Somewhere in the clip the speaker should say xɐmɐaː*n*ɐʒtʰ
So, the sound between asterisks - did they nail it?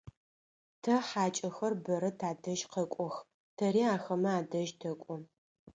no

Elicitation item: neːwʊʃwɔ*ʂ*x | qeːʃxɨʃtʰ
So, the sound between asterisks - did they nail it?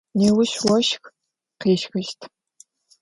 no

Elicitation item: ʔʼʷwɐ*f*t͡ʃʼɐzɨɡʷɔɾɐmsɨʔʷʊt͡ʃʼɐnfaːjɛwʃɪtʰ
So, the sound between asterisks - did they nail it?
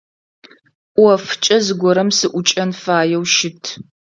yes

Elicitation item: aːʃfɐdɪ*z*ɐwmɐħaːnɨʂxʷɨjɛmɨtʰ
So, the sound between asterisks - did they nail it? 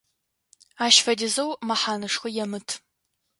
yes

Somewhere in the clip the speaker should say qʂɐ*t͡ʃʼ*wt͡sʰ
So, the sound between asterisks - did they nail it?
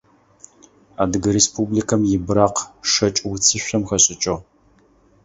yes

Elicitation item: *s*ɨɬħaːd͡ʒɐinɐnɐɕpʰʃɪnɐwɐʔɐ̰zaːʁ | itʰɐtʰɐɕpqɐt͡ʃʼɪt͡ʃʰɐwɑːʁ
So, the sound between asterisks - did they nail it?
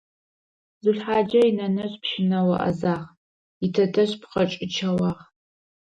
no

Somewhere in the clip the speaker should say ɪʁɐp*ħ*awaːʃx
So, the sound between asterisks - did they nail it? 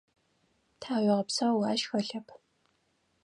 no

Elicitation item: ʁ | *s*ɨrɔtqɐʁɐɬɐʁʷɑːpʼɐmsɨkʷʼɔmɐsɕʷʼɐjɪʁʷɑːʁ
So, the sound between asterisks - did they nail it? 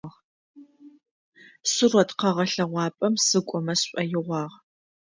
yes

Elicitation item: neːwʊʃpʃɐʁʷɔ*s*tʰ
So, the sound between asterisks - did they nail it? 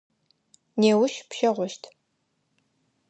no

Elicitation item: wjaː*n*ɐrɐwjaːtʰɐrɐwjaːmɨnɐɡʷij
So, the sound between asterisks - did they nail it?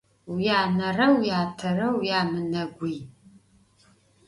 yes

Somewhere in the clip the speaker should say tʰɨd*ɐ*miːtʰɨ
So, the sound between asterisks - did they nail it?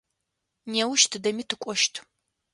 yes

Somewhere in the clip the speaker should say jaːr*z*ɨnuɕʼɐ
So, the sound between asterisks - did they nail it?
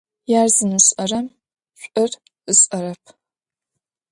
yes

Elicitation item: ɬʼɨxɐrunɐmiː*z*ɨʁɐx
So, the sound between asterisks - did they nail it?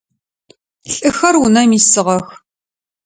no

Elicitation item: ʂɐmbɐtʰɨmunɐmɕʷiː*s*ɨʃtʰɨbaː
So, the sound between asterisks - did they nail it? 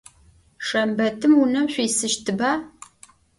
yes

